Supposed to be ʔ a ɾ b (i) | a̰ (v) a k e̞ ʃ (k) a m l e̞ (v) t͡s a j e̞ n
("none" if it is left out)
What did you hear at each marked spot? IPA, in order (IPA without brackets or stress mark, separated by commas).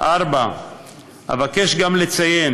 a, v, ɡ, none